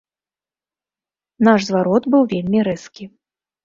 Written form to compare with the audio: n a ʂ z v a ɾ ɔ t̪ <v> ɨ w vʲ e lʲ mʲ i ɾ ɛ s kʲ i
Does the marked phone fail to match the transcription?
yes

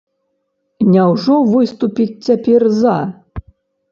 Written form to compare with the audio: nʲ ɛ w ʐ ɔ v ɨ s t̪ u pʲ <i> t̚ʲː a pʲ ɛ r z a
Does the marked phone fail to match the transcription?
no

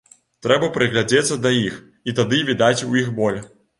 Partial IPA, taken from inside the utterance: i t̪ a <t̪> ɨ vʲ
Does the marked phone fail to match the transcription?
yes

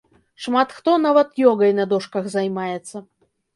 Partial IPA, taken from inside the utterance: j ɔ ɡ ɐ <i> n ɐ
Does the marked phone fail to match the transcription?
yes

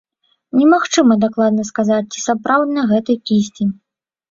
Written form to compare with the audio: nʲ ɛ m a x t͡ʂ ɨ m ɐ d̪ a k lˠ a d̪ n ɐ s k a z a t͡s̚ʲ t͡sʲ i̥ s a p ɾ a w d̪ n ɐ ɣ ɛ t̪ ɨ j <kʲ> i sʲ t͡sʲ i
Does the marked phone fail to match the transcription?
no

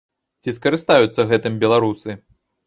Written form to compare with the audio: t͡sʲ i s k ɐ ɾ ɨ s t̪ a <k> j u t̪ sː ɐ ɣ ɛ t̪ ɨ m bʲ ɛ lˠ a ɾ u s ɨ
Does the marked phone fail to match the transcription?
yes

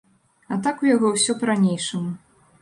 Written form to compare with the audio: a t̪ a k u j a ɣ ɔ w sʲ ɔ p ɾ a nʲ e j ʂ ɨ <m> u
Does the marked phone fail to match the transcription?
no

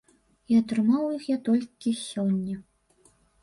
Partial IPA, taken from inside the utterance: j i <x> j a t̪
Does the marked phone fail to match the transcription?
no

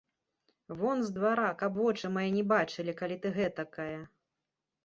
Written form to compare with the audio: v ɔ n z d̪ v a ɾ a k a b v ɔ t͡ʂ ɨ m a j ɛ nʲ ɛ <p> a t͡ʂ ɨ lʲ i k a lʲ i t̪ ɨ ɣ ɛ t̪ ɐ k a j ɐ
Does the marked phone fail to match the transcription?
yes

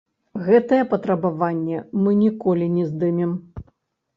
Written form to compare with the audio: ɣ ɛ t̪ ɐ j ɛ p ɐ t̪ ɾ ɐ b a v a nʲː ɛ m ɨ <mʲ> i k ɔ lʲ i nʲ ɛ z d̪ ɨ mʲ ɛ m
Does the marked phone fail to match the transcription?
yes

